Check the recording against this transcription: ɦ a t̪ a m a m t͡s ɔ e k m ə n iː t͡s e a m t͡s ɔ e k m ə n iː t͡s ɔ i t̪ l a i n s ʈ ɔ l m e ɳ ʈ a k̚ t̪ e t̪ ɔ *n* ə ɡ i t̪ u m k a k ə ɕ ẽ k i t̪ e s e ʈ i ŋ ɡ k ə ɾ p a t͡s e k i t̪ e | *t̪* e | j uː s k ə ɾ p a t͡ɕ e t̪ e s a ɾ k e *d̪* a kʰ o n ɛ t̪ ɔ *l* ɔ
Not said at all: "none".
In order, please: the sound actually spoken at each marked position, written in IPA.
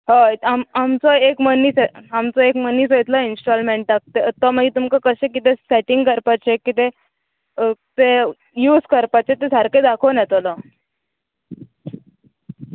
m, t̪, d̪, l

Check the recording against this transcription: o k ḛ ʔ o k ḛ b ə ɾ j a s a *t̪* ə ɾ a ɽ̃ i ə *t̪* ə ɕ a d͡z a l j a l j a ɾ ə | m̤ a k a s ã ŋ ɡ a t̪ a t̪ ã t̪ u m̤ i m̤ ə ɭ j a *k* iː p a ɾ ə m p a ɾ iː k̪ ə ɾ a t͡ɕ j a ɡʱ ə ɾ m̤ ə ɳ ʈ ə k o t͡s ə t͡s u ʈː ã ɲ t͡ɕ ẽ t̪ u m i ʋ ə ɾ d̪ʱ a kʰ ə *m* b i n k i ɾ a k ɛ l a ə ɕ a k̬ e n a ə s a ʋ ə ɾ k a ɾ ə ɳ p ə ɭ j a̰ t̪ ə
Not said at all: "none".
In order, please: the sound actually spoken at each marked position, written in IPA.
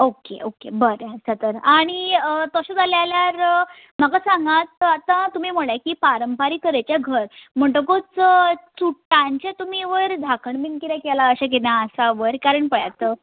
t̪, t̪, k, ɳ

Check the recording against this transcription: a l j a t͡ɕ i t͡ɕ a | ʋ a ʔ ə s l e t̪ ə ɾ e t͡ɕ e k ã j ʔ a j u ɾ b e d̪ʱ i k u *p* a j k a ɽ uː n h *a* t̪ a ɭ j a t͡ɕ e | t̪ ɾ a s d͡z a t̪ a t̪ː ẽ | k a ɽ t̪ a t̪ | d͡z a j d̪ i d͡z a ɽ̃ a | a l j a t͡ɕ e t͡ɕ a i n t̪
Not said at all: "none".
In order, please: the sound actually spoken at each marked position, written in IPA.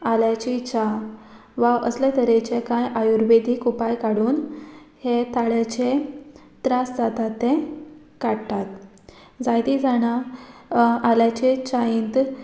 p, e

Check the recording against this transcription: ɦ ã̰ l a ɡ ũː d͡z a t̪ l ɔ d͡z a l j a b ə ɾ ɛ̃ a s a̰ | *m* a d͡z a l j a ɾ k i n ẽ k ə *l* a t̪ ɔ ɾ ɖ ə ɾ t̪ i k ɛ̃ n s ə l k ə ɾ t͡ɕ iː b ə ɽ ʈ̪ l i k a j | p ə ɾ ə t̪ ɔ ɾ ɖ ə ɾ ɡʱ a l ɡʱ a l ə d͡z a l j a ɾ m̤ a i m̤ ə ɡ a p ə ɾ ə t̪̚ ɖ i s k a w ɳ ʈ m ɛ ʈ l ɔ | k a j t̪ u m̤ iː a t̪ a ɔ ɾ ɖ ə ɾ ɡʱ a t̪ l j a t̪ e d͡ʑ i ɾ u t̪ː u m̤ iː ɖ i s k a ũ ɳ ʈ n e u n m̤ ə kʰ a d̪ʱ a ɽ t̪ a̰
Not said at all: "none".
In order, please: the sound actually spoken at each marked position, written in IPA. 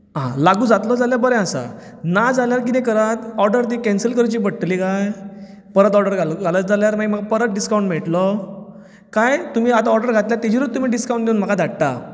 n, ɾ

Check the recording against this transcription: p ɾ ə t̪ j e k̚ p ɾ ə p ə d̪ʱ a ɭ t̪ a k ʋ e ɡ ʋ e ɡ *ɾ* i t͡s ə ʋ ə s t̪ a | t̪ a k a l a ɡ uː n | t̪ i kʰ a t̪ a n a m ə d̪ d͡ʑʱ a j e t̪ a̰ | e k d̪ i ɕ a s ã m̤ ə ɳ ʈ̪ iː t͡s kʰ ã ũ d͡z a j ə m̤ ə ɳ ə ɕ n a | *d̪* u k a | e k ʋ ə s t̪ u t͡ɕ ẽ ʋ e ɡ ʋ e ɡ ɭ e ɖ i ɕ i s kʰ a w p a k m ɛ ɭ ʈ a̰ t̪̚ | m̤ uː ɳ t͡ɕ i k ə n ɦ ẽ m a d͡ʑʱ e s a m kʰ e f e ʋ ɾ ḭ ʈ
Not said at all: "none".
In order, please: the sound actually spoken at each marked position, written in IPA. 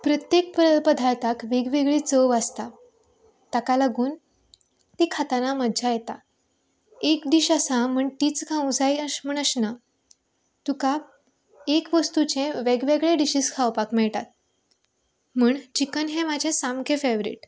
ɭ, t̪

